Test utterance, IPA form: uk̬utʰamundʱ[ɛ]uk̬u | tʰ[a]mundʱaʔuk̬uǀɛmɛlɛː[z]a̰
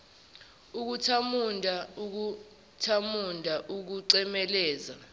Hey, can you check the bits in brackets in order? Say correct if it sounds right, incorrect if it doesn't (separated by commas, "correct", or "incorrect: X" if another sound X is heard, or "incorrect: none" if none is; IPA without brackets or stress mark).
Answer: incorrect: a, correct, correct